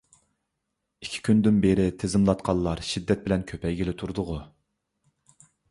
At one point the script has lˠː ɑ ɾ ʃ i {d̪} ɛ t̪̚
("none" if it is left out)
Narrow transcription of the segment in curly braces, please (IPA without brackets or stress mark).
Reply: d̪ː